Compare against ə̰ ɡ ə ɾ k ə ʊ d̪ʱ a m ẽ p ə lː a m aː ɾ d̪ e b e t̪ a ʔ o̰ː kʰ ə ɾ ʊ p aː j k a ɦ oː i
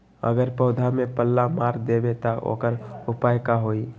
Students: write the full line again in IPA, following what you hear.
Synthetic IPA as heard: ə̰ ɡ ə ɾ p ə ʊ d̪ʱ a m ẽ p ə lː a m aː ɾ d̪ e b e t̪ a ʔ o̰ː k ə ɾ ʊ p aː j k a ɦ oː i